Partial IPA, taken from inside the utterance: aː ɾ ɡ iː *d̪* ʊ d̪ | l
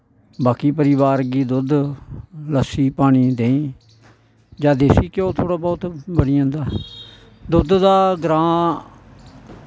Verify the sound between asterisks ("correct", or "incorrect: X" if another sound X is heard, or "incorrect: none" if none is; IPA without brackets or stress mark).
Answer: correct